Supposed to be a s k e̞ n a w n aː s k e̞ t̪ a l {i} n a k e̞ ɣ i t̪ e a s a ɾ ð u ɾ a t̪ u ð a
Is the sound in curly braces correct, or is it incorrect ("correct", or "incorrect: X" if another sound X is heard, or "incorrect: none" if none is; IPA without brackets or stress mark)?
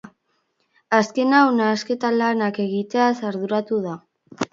incorrect: a